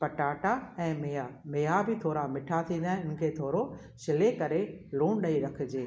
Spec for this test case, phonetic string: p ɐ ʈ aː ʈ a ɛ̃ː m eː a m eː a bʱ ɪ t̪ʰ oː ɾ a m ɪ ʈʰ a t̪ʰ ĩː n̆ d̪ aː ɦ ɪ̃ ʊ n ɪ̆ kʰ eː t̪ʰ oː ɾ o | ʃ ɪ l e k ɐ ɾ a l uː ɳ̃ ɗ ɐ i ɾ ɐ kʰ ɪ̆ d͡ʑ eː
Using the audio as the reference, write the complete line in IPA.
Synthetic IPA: p ɐ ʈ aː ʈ a ɛ̃ː m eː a m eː a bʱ ɪ t̪ʰ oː ɾ a m ɪ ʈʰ a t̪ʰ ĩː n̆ d̪ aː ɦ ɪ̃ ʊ n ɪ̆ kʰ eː t̪ʰ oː ɾ o | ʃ ɪ l e k ɐ ɾ e l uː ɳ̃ ɗ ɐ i ɾ ɐ kʰ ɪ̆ d͡ʑ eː